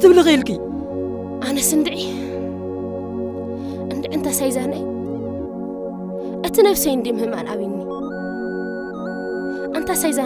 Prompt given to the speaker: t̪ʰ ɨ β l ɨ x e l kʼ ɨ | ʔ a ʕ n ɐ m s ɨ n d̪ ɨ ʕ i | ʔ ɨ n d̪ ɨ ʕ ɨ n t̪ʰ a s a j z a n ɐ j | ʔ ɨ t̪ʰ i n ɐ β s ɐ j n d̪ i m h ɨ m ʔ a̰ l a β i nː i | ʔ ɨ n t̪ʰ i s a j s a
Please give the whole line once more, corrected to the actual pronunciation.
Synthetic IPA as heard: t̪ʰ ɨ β l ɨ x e l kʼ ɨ | ʔ a n ɐ s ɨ n d̪ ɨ ʕ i | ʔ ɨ n d̪ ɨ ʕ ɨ n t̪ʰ a s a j z a n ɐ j | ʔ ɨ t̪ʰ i n ɐ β s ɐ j n d̪ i m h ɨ m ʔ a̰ l a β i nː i | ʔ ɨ n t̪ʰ a s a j z a